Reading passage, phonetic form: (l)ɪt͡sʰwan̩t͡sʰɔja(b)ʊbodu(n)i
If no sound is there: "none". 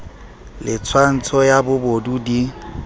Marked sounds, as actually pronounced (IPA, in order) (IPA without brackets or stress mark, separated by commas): l, b, d